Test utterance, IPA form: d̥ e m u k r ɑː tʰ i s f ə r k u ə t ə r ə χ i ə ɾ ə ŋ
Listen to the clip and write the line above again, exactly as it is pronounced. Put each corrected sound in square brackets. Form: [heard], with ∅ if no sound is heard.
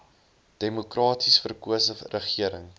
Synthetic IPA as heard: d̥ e m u k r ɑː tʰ i s f ə r k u ə [s] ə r ə χ i ə ɾ ə ŋ